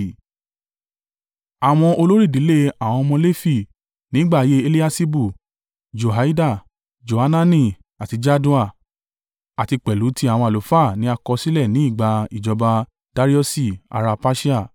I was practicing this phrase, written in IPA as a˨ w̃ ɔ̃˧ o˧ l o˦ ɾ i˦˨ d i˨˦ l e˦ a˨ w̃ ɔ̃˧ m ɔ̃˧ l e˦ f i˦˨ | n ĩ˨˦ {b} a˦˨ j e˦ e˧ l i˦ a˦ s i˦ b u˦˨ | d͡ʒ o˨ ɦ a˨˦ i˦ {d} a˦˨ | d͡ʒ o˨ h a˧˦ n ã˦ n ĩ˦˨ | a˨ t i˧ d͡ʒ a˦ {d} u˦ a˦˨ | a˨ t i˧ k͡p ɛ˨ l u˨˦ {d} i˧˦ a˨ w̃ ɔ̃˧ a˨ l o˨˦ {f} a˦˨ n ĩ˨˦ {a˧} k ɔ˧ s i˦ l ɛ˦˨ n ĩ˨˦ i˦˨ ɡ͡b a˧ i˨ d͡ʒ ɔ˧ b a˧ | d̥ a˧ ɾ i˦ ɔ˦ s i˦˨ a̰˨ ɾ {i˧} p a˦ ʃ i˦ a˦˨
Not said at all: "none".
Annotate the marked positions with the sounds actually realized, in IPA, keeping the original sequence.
ɡ͡b, d, d, t, f, a˧, a˧

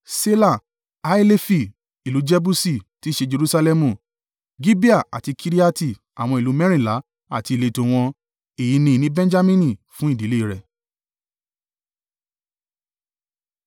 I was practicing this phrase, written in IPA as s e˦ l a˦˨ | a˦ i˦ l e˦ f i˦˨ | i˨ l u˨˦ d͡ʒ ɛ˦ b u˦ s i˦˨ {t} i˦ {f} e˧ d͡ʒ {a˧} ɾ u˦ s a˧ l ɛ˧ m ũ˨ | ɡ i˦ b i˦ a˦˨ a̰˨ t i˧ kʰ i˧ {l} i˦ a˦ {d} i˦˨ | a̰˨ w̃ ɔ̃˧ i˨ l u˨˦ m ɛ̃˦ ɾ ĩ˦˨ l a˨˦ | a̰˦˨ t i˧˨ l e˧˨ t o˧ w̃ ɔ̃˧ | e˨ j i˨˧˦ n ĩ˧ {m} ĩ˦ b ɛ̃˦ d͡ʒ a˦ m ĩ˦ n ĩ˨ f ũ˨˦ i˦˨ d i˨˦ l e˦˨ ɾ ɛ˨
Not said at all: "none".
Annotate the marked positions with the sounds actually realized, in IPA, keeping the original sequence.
t, ʃ, e˧, ɾ, t, n

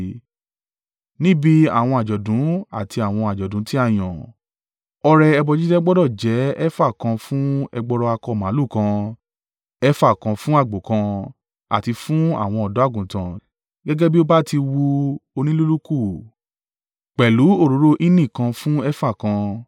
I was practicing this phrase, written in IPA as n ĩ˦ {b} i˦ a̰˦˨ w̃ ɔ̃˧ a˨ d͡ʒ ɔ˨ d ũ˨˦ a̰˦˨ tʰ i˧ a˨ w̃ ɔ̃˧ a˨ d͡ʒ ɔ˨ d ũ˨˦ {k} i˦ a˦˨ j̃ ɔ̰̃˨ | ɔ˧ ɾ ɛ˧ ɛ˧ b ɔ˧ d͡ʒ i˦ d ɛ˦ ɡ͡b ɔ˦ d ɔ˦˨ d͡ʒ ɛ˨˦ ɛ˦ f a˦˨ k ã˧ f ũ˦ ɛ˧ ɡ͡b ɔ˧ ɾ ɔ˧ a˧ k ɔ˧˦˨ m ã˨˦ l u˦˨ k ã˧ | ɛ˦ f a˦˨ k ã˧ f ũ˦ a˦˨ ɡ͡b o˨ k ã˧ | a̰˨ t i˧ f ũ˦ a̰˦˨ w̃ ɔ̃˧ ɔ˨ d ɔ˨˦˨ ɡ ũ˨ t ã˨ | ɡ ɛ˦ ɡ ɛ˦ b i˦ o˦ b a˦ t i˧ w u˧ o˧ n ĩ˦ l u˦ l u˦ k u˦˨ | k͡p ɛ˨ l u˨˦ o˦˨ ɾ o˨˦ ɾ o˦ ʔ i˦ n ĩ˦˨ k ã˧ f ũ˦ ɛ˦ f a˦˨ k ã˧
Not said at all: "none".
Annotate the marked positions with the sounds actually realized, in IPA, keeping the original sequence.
b, t

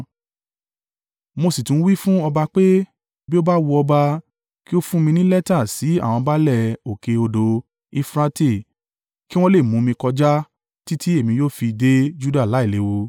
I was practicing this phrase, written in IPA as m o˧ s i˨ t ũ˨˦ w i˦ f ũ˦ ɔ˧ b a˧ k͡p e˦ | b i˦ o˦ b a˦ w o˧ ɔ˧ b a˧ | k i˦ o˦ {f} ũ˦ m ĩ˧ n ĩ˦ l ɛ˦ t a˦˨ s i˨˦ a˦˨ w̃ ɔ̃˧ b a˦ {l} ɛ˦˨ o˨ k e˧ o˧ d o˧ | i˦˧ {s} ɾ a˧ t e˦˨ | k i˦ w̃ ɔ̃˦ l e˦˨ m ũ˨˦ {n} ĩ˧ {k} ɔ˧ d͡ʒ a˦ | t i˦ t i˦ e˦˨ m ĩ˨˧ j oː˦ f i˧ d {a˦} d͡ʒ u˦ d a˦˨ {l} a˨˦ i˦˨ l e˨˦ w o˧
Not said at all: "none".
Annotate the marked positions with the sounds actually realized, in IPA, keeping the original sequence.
f, l, f, m, k, e˦, l

